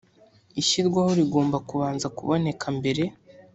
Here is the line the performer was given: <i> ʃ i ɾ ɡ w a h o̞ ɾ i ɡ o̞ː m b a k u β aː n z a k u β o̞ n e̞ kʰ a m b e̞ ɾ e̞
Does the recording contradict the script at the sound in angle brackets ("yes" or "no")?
no